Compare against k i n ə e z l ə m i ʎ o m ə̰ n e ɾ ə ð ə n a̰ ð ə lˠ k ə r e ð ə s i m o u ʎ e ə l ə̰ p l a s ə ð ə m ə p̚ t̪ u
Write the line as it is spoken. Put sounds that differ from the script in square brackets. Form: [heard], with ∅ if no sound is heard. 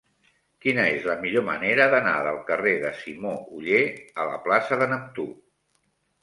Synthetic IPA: k i n ə e z l ə m i ʎ o m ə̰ n e ɾ ə ð ə n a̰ ð ə lˠ k ə r e ð ə s i m o u ʎ e ə l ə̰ p l a s ə ð ə [n] ə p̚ t̪ u